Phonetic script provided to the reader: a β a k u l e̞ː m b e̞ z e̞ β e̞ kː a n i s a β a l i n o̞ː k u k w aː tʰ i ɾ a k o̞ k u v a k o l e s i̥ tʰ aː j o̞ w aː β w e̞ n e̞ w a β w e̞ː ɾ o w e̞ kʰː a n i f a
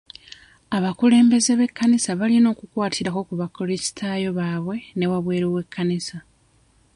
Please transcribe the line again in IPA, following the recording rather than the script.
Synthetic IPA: a β a k u l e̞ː m b e̞ z e̞ β e̞ kː a n i s a β a l i n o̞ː k u k w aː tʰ i ɾ a k o̞ k u β a k o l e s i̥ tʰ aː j o̞ β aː β w e̞ n e̞ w a β w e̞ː ɾ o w e̞ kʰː a n i s a